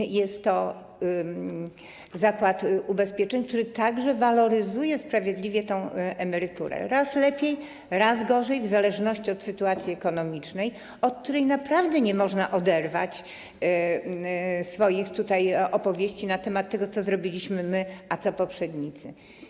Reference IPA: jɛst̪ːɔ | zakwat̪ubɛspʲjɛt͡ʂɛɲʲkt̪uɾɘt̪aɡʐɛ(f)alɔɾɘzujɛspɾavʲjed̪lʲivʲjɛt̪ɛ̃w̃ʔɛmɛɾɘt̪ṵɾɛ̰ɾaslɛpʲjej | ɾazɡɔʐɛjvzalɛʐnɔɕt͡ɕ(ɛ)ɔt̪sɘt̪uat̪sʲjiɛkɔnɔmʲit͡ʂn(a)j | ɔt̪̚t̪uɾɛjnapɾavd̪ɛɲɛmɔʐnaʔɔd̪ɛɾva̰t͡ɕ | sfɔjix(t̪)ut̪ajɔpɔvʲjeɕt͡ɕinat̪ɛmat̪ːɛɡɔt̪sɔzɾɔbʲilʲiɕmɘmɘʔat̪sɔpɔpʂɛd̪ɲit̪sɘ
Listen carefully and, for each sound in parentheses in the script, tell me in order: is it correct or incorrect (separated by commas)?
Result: incorrect, incorrect, incorrect, correct